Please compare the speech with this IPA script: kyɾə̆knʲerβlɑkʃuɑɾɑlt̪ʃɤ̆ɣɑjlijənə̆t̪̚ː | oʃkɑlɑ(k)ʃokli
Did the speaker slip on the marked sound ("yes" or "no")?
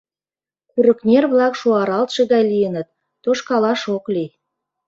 yes